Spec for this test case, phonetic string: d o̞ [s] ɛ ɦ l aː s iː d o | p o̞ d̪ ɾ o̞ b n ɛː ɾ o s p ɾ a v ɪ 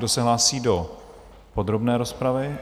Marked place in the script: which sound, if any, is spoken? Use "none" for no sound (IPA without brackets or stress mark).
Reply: s